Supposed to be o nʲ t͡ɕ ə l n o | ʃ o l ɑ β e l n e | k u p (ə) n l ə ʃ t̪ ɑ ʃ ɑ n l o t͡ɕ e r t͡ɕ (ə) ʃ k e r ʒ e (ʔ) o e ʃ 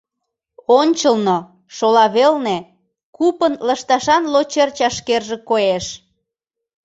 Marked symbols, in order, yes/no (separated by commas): yes, no, no